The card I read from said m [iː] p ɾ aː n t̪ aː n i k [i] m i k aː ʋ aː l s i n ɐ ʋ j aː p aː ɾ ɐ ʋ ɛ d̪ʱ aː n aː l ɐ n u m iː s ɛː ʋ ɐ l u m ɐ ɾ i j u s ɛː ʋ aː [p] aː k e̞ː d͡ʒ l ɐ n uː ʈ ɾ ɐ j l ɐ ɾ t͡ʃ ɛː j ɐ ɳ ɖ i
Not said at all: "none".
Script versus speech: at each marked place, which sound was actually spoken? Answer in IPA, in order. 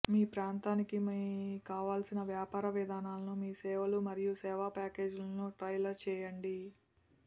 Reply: iː, i, p

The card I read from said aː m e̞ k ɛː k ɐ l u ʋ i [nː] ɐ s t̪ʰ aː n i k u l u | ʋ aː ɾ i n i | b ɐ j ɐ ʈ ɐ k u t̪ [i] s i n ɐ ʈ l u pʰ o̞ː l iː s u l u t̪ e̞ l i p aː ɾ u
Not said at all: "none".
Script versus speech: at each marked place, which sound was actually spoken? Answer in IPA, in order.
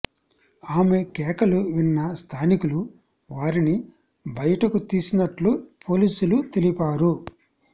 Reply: nː, iː

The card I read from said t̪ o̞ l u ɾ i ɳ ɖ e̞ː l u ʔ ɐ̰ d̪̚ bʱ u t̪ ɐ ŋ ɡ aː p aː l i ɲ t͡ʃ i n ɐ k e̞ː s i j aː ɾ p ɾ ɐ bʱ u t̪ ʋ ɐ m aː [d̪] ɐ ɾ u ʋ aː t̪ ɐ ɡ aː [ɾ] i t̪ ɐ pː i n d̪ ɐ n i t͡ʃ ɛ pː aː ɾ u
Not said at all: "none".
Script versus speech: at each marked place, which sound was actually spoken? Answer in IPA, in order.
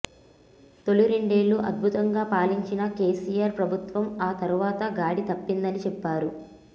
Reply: t̪, ɽ

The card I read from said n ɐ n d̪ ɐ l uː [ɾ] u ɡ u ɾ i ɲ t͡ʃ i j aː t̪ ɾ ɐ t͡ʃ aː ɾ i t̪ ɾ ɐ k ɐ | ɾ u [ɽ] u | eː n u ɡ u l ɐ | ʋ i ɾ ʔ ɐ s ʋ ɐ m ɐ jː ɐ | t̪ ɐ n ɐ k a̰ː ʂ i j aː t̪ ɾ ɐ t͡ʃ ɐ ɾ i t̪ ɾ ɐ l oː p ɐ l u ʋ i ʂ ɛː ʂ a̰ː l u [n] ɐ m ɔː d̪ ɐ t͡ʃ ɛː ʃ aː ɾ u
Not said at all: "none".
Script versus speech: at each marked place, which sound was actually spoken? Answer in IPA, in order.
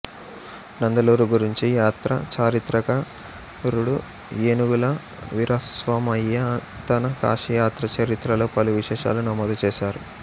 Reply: ɾ, ɽ, n

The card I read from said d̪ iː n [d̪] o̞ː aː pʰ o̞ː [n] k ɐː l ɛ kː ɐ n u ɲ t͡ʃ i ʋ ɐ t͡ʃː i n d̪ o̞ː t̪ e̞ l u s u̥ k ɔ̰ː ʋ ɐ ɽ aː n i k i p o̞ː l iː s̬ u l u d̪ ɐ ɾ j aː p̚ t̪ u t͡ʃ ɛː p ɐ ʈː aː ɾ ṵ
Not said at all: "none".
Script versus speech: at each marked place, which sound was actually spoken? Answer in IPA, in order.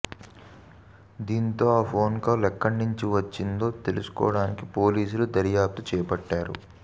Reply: t̪, n

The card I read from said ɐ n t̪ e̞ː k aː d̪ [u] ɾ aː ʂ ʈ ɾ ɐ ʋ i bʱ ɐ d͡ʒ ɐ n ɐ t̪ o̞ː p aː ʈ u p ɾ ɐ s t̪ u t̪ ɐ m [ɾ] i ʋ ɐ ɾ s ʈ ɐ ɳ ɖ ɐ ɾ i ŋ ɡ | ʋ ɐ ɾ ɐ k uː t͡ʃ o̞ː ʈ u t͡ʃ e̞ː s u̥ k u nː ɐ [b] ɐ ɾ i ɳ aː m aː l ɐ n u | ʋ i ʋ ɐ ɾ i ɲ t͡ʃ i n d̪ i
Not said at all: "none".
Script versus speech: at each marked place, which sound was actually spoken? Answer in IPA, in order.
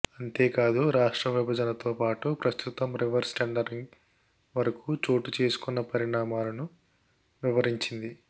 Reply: u, ɾ, p

